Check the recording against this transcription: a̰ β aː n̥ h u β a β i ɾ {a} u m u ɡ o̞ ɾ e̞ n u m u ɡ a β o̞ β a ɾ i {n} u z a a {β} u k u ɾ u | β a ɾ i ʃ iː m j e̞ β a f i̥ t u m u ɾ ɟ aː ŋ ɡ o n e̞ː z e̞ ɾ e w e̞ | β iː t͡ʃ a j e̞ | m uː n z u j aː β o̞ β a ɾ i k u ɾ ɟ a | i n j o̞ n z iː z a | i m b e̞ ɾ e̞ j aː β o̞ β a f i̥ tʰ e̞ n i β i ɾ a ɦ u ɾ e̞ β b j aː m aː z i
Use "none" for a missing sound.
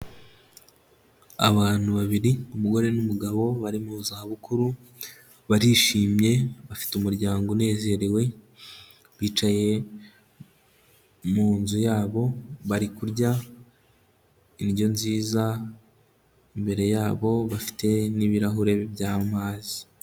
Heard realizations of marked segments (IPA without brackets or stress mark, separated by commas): i, m, β